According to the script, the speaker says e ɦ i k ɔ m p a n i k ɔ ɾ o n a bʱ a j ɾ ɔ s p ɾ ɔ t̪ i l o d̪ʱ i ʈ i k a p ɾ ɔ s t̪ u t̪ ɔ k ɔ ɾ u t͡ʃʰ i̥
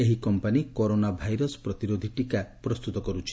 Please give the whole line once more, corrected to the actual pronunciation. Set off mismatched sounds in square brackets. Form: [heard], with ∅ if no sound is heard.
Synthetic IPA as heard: e ɦ i k ɔ m p a n i k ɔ ɾ o n a bʱ a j ɾ ɔ s p ɾ ɔ t̪ i [ɾ] o d̪ʱ i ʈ i k a p ɾ ɔ s t̪ u t̪ ɔ k ɔ ɾ u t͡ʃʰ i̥

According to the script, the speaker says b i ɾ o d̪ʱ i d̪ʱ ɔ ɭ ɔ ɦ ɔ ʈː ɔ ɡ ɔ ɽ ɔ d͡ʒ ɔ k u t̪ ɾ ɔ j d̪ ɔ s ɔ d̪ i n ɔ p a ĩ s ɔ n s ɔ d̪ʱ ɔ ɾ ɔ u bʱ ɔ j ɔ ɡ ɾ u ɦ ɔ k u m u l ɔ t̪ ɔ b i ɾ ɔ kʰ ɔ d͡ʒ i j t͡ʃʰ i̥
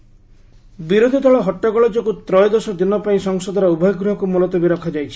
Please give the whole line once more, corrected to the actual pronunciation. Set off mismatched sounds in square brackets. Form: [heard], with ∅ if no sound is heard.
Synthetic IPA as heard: b i ɾ o d̪ʱ i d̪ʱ ɔ ɭ ɔ ɦ ɔ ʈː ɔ ɡ ɔ [ɭ] ɔ d͡ʒ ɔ k u t̪ ɾ ɔ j d̪ ɔ s ɔ d̪ i n ɔ p a ĩ s ɔ [ŋ] s ɔ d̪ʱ ɔ ɾ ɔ u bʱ ɔ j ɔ ɡ ɾ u ɦ ɔ k u m u l ɔ t̪ ɔ b i ɾ ɔ kʰ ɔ d͡ʒ [a] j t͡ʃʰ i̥

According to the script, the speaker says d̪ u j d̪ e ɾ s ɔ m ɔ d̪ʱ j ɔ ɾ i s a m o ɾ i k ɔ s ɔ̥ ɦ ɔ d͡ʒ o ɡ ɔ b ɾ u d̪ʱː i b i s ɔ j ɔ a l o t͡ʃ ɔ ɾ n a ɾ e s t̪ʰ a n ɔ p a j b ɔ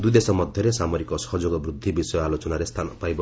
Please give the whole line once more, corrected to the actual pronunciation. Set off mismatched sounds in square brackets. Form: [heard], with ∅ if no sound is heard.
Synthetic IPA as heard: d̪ u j d̪ e [∅] s ɔ m ɔ d̪ʱ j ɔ ɾ [e] s a m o ɾ i k ɔ s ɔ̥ ɦ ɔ d͡ʒ o ɡ ɔ b ɾ u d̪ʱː i b i s ɔ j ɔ a l o t͡ʃ ɔ [∅] n a ɾ e s t̪ʰ a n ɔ p a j b ɔ

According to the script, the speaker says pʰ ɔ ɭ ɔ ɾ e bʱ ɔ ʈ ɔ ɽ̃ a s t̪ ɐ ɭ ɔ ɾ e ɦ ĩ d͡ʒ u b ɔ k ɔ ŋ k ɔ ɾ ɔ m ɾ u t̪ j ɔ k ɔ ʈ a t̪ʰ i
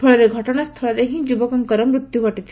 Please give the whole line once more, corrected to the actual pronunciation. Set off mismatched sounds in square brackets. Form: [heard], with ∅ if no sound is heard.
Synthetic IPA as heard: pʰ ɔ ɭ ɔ ɾ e [ɡʱ] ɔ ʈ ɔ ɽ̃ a s [t̪ʰ] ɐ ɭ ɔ ɾ e ɦ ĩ d͡ʒ u b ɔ k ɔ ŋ k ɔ ɾ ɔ m ɾ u t̪ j [u] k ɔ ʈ [i] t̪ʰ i

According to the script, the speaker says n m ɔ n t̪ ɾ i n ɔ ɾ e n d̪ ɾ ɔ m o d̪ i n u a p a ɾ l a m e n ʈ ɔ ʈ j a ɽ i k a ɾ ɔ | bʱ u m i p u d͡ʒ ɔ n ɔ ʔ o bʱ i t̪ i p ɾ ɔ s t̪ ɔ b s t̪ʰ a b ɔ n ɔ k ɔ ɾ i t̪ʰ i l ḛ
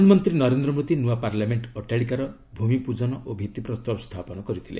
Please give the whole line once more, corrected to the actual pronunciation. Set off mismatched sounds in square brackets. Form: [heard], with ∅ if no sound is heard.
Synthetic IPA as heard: n m ɔ n t̪ ɾ i n ɔ ɾ e n d̪ ɾ ɔ m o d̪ i n u a p a ɾ l a m e [ɳ] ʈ ɔ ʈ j a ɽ i k a ɾ ɔ | bʱ u m i p u d͡ʒ ɔ n ɔ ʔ o bʱ i t̪ i p ɾ ɔ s t̪ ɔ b s t̪ʰ a [p] ɔ n ɔ k ɔ ɾ i t̪ʰ i l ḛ

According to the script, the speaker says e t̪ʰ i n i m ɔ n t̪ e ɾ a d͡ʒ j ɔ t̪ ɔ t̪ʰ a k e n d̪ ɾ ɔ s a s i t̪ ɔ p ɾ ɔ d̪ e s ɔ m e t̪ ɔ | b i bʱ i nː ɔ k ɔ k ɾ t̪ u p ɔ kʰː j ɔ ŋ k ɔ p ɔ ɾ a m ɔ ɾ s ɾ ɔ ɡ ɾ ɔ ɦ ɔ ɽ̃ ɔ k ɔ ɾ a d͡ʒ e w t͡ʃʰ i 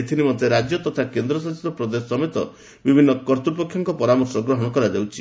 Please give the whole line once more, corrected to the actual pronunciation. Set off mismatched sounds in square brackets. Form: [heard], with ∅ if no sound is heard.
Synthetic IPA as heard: e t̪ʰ i n i m ɔ n t̪ e ɾ a d͡ʒ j ɔ t̪ ɔ t̪ʰ a k e n d̪ ɾ ɔ s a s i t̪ ɔ p ɾ ɔ d̪ e s ɔ m e t̪ ɔ | b i bʱ i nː ɔ k ɔ [∅] ɾ t̪ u p ɔ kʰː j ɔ ŋ k ɔ p ɔ ɾ a m ɔ ɾ s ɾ ɔ ɡ ɾ ɔ ɦ ɔ ɽ̃ ɔ k ɔ ɾ a d͡ʒ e w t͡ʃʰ i

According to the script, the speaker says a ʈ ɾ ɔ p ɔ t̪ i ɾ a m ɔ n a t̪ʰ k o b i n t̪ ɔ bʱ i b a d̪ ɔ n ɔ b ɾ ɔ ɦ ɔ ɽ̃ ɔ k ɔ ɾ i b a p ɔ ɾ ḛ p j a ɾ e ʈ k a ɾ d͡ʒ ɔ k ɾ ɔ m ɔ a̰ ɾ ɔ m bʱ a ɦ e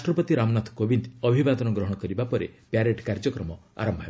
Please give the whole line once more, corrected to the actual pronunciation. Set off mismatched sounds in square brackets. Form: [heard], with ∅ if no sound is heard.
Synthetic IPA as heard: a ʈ ɾ ɔ p ɔ t̪ i ɾ a m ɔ n a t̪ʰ k o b i n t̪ ɔ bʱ i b a d̪ ɔ n ɔ [ɡ] ɾ ɔ ɦ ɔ ɽ̃ ɔ k ɔ ɾ i b a p ɔ ɾ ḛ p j a ɾ e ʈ k a ɾ d͡ʒ ɔ k ɾ ɔ m ɔ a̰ ɾ ɔ m bʱ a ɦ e

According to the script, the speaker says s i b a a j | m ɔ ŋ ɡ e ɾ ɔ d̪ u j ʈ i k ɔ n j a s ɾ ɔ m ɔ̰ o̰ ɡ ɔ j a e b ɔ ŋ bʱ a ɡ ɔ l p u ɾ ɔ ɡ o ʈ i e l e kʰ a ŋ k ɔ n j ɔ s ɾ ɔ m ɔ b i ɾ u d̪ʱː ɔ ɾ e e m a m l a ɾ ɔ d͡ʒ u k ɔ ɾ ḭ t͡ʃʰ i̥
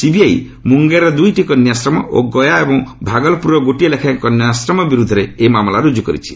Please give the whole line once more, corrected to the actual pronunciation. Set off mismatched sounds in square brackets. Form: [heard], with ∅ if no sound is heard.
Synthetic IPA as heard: s i b [i] a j | m [u] ŋ ɡ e ɾ ɔ d̪ u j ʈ i k ɔ n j a s ɾ ɔ m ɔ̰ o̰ ɡ ɔ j a e b ɔ ŋ bʱ a ɡ ɔ l p u ɾ ɔ ɡ o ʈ i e l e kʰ a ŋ k ɔ n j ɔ s ɾ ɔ m ɔ b i ɾ u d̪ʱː ɔ ɾ e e m a m l a ɾ [u] d͡ʒ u k ɔ ɾ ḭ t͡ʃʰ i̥

